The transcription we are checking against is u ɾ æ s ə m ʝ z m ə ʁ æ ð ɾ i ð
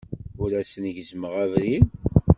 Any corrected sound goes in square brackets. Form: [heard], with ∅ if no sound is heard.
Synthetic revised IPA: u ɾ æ s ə [n] ʝ z m ə ʁ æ [v] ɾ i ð